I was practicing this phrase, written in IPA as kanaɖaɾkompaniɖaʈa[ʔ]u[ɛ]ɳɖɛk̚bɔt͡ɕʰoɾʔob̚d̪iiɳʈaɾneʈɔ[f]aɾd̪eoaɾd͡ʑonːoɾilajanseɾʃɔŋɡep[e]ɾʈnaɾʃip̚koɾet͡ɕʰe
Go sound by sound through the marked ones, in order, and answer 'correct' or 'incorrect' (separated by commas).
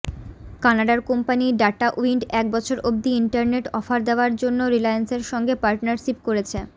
correct, incorrect, correct, incorrect